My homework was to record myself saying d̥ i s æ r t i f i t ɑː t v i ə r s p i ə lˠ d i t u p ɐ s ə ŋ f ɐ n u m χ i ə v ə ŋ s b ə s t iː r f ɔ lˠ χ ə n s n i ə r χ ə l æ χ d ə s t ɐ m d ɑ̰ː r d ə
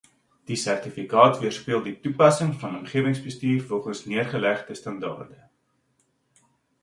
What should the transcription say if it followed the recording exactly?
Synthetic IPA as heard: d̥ i s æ r t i f i k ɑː t v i ə r s p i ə lˠ d i t u p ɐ s ə ŋ f ɐ n ɔ m χ i ə v ə ŋ s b ə s t iː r f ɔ lˠ χ ə n s n i ə r χ ə l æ χ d ə s t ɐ n d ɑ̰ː r d ə